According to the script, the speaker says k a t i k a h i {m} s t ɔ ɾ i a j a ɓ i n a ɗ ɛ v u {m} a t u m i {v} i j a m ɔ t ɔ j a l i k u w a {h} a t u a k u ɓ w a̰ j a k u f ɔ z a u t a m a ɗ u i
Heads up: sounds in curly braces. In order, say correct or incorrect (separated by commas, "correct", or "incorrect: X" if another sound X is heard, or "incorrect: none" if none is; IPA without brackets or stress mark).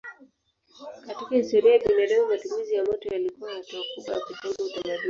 incorrect: none, correct, incorrect: z, correct